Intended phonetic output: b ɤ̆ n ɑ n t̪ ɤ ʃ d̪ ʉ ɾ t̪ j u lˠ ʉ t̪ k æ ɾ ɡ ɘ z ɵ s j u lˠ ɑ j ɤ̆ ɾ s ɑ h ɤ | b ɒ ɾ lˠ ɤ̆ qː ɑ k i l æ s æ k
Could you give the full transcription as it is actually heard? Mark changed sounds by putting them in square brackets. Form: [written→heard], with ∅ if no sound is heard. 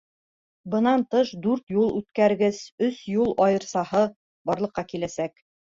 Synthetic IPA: b ɤ̆ n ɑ n t̪ ɤ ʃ d̪ ʉ ɾ t̪ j u lˠ ʉ t̪ k æ ɾ ɡ ɘ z ɵ s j u lˠ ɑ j ɤ̆ ɾ s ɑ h ɤ | b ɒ ɾ lˠ ɤ̆ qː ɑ k i l æ s æ k